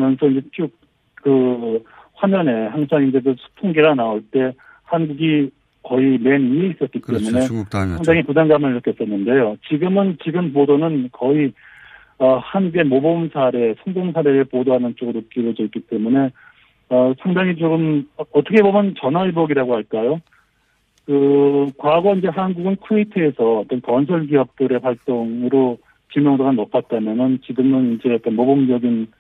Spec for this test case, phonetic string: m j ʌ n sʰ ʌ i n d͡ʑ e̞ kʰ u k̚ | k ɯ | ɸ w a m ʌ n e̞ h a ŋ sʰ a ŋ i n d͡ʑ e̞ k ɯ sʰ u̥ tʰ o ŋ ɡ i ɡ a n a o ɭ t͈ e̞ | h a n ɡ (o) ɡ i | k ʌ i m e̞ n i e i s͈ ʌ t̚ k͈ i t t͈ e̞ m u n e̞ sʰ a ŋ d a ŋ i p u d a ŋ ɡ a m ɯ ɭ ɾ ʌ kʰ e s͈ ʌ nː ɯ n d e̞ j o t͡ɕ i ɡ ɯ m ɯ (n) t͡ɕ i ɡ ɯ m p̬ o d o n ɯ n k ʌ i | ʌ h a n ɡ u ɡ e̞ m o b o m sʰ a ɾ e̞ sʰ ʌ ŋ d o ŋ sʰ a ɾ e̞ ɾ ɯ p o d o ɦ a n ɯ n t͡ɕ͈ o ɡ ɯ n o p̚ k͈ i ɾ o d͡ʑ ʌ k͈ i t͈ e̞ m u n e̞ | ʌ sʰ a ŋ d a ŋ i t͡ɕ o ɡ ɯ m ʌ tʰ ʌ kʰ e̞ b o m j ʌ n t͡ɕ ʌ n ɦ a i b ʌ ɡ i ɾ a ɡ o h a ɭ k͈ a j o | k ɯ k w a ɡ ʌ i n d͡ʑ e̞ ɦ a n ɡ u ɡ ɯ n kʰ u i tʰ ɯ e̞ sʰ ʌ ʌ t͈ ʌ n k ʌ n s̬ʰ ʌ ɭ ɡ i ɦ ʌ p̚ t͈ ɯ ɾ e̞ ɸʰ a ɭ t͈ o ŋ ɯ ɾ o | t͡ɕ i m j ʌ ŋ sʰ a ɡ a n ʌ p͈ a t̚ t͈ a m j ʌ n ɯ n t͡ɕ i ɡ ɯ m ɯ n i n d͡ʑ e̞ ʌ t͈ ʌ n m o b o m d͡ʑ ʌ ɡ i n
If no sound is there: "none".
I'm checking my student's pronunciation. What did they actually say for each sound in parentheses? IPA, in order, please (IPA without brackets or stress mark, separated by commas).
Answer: u, n